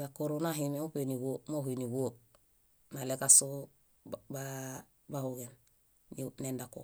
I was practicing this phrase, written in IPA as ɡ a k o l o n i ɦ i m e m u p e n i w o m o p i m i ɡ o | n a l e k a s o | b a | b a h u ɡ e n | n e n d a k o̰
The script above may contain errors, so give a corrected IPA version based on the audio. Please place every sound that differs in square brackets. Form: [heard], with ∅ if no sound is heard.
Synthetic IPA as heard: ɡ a k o [ɾ] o n [a] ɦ i m e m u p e n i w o m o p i [n] i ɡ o | n a l e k a s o | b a | b a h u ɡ e n | n e n d a k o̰